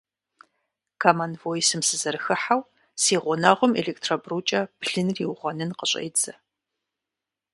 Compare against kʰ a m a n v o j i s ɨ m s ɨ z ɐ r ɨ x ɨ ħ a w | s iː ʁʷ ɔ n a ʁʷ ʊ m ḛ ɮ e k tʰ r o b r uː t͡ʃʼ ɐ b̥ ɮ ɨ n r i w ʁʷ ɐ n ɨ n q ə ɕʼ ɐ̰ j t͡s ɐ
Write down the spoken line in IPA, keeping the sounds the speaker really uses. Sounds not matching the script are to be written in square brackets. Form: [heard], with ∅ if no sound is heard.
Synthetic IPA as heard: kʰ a m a n v o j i s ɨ m s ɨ z ɐ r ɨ x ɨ ħ a w | s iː ʁʷ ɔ n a ʁʷ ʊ m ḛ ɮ e k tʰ r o b r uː t͡ʃʼ ɐ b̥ ɮ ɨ n r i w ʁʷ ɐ n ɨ n q ə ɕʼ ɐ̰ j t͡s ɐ